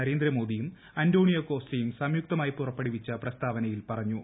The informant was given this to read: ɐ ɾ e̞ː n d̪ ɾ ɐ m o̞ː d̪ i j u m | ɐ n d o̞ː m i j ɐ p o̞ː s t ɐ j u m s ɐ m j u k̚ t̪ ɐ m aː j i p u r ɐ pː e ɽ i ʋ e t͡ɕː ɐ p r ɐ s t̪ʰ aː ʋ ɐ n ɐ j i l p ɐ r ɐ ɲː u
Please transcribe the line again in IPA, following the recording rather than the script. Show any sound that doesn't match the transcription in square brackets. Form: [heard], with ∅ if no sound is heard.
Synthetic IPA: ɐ ɾ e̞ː n d̪ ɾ ɐ m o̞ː d̪ i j u m | ɐ n d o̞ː [ɳ] i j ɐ [k] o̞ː s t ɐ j u m s ɐ m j u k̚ t̪ ɐ m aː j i p u r ɐ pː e ɽ i ʋ [i] t͡ɕː ɐ p r ɐ s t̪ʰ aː ʋ ɐ n ɐ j i l p ɐ r ɐ ɲː u